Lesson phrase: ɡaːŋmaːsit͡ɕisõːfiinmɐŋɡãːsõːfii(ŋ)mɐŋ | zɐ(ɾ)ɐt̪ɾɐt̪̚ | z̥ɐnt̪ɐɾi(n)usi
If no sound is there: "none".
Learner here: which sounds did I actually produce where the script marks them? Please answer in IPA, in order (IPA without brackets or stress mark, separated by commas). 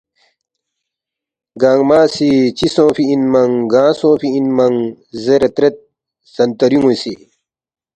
n, ɾ, ŋ